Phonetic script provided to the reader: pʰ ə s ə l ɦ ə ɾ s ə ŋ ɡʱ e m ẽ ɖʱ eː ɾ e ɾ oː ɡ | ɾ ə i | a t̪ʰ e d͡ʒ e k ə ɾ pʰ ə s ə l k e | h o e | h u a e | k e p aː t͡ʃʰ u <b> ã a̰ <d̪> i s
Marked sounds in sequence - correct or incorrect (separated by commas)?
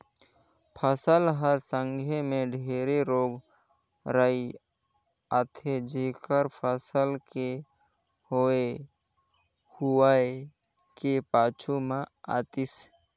incorrect, incorrect